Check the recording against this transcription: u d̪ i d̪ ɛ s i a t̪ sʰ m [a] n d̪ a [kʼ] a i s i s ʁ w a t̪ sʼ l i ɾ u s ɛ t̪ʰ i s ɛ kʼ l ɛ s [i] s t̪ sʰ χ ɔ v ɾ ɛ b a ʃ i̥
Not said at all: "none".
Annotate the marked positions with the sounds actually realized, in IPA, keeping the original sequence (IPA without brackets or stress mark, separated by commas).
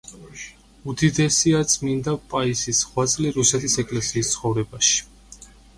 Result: i, pʼ, iː